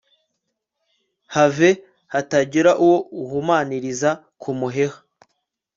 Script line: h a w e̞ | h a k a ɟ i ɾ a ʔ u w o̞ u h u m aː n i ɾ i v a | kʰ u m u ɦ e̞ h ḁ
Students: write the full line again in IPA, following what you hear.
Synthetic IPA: h a v e̞ | h a t a ɟ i ɾ a ʔ u w o̞ u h u m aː n i ɾ i z a | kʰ u m u ɦ e̞ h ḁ

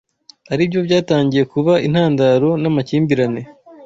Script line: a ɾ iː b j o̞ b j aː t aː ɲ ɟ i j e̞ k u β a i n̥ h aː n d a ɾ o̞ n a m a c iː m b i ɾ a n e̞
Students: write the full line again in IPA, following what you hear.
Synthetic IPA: a ɾ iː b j o̞ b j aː t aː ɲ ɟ i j e̞ k u β a i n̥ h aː n d a ɾ o̞ n a m a c iː m b i ɾ a n e̞

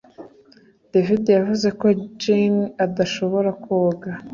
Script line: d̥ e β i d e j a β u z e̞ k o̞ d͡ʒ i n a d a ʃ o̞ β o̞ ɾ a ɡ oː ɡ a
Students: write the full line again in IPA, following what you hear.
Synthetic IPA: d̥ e v i d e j a v u z e̞ k o̞ d͡ʒ i n a d a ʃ o̞ β o̞ ɾ a k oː ɡ a

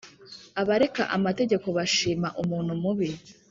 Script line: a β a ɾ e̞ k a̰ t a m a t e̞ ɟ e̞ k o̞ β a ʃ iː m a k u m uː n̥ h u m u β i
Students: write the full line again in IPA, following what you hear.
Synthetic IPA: a β a ɾ e̞ k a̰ ʔ a m a t e̞ ɟ e̞ k o̞ β a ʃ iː m a ʔ u m uː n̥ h u m u β i

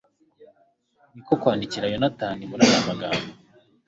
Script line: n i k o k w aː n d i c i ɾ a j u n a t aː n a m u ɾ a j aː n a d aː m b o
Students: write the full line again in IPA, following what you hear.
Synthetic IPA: n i k o k w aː n d i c i ɾ a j o n a t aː n i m u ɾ a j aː m a ɡ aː m b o

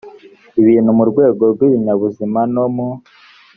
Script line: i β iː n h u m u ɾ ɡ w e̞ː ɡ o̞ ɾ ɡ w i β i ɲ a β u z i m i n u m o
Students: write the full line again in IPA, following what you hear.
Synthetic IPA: i β iː n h u m u ɾ ɡ w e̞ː ɡ o̞ ɾ ɡ w i β i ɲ a β u z i m a n o m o

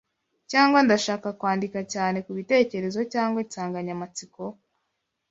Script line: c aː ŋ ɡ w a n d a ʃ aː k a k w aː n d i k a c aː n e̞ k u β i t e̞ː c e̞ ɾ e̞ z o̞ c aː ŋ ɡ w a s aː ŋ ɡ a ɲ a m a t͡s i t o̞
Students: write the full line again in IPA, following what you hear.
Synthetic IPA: c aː ŋ ɡ w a n d a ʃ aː k a k w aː n d i k a c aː n e̞ k u β i t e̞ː c e̞ ɾ e̞ z o̞ c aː ŋ ɡ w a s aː ŋ ɡ a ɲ a m a t͡s i k o̞

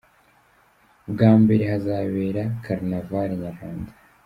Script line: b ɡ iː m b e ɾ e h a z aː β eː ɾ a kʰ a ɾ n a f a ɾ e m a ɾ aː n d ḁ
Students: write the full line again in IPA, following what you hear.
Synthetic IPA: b ɡ aː m b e ɾ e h a z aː β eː ɾ a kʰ a ɾ n a v a ɾ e ɲ a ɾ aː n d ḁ

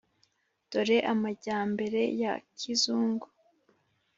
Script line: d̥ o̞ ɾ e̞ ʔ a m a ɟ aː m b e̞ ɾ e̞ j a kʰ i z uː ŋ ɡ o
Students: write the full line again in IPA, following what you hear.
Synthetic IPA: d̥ o̞ ɾ e̞ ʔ a m a ɟ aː m b e̞ ɾ e̞ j a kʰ i z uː ŋ ɡ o

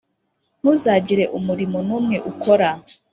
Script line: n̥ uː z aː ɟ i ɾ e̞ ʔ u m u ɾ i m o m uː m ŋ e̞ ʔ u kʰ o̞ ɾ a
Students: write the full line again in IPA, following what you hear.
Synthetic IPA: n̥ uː z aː ɟ i ɾ e̞ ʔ u m u ɾ i m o n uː m ŋ e̞ ʔ u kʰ o̞ ɾ a

